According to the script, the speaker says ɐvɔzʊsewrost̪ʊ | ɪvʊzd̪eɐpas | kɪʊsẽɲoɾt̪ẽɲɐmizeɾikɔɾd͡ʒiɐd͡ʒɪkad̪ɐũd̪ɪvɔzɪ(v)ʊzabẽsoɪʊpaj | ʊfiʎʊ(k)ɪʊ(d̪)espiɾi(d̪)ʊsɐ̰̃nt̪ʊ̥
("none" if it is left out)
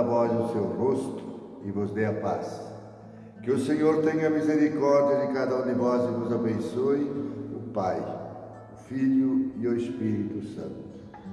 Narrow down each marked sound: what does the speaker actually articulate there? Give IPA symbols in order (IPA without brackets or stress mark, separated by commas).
v, none, none, t̪